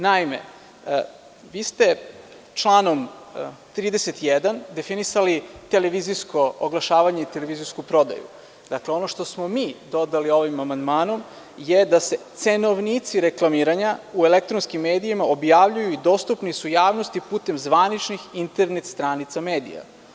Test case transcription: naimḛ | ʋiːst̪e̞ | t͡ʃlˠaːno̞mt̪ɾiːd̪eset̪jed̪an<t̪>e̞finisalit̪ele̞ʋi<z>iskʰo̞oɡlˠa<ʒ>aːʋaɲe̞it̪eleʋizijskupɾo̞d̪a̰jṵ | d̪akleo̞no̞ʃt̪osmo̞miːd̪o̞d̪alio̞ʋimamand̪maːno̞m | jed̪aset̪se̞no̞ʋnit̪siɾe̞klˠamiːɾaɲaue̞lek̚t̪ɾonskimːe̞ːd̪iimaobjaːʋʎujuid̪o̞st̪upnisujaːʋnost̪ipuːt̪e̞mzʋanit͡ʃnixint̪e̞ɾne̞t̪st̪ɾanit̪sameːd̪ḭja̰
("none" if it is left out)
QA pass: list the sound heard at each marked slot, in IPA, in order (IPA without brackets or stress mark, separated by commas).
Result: d̪, z, ʃ